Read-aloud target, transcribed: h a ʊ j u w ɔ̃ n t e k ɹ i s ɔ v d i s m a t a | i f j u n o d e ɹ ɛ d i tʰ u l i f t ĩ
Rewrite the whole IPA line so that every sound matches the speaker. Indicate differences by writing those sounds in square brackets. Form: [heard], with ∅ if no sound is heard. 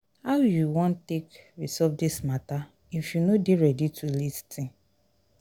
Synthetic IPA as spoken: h a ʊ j u w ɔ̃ n t e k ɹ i s ɔ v d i s m a t a | i f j u n o d e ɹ ɛ d i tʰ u l i [s] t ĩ